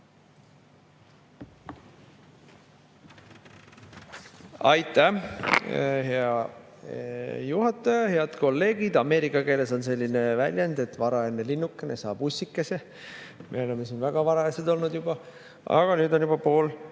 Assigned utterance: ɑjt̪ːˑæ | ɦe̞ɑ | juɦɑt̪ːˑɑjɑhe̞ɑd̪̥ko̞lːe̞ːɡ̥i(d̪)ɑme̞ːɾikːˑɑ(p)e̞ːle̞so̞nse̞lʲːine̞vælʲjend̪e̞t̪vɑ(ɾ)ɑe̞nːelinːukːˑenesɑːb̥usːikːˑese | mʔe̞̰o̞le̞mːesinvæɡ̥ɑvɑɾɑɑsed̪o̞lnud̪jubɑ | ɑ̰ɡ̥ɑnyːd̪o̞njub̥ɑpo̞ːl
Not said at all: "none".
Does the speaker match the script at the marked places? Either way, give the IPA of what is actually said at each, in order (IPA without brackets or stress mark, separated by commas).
d̪, k, ɾ